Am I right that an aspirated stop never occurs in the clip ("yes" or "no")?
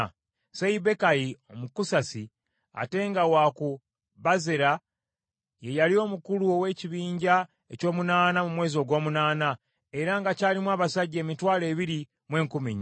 yes